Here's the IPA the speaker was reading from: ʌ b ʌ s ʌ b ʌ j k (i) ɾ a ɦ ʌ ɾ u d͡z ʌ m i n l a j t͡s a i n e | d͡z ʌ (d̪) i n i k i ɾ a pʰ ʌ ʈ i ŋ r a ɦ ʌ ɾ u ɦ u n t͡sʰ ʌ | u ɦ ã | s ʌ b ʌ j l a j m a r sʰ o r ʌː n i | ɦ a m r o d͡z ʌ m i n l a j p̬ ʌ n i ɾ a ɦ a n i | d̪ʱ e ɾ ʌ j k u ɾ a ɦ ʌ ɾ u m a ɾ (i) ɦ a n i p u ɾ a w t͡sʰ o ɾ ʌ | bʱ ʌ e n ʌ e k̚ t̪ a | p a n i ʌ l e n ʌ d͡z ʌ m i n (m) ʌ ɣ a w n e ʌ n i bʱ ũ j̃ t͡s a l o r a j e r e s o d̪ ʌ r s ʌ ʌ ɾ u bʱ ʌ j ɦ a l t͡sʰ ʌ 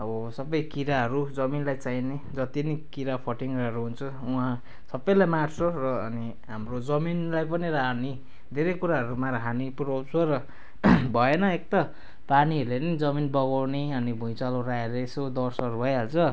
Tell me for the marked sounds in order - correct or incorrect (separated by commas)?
correct, incorrect, incorrect, incorrect